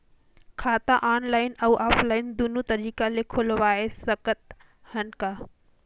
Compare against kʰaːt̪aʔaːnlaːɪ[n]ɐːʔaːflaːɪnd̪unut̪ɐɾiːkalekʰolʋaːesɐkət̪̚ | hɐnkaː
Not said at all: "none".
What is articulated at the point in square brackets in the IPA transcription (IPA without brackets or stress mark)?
n